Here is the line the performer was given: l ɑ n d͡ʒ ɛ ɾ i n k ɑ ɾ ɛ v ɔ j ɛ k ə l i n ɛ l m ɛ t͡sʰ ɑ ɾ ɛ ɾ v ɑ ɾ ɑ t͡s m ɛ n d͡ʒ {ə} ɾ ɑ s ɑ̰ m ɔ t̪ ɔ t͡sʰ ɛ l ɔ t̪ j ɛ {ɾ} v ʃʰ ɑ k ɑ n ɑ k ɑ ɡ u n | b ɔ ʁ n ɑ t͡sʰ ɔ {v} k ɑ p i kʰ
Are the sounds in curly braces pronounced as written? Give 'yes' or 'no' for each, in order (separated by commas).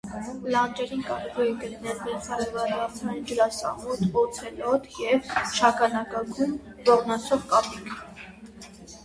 yes, no, no